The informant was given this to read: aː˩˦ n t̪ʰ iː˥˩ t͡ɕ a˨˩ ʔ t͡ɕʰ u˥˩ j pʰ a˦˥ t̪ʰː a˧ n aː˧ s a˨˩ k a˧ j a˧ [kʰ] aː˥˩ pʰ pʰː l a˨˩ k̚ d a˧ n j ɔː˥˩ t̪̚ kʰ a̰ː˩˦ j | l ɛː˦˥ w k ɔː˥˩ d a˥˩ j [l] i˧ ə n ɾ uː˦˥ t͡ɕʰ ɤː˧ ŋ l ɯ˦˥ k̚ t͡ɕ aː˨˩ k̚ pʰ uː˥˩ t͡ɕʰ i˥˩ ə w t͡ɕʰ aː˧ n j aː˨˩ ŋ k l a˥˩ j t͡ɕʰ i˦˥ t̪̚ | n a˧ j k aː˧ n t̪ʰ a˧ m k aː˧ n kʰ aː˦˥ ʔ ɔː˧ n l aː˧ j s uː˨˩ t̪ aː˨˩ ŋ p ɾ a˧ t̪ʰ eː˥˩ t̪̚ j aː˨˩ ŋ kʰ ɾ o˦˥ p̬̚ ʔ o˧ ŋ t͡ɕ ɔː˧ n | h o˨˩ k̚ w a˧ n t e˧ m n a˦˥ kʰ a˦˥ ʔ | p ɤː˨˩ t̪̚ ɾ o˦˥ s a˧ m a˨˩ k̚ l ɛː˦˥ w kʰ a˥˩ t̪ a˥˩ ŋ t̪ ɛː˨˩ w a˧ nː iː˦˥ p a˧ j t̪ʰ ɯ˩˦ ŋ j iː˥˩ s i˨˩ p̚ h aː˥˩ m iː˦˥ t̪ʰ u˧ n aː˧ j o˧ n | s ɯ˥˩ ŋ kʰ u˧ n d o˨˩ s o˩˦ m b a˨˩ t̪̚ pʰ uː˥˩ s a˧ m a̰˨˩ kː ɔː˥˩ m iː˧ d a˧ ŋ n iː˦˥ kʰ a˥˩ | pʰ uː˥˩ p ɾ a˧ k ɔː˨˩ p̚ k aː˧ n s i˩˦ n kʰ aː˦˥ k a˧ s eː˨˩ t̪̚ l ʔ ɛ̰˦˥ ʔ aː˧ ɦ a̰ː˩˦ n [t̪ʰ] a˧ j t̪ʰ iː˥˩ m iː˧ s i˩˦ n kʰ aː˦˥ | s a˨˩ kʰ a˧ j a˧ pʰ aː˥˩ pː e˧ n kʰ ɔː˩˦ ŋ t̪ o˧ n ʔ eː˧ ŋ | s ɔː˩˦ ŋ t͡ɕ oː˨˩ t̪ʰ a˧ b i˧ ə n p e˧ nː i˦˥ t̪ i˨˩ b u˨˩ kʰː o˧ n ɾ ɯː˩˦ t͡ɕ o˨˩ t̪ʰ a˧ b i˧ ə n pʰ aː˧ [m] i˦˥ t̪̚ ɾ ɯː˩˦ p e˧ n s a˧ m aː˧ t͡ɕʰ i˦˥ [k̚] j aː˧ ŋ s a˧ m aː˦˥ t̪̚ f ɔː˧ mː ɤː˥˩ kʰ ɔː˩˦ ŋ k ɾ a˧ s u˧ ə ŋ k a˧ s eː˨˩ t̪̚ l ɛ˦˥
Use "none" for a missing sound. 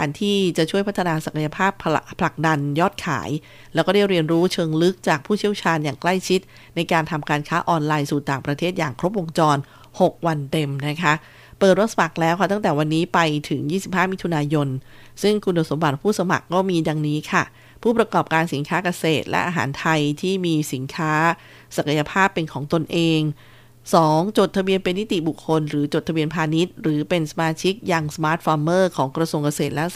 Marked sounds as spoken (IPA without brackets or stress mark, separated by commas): pʰ, ɾ, t̪ʰ, n, k̚